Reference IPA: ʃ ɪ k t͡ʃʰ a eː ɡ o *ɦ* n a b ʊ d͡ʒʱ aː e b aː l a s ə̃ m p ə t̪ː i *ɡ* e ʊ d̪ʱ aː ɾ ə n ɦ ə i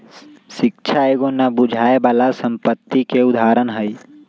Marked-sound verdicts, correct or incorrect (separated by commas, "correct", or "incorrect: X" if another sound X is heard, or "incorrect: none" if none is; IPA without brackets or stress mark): incorrect: none, incorrect: k